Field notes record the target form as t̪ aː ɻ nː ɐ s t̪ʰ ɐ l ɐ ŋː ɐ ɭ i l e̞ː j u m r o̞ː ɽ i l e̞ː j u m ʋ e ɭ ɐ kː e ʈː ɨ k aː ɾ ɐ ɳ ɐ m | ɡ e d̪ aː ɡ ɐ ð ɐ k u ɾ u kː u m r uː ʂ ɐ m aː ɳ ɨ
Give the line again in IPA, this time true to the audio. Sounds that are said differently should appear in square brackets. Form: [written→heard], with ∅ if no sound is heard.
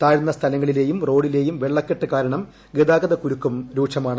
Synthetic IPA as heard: t̪ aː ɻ nː ɐ s t̪ʰ ɐ l ɐ ŋː ɐ ɭ i l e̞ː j u m r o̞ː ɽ i l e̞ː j u m ʋ e [ɭ→ɭː] ɐ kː e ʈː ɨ k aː ɾ ɐ ɳ ɐ m | ɡ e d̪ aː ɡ ɐ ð ɐ k u ɾ u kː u m [r→ɾ] uː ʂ ɐ m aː ɳ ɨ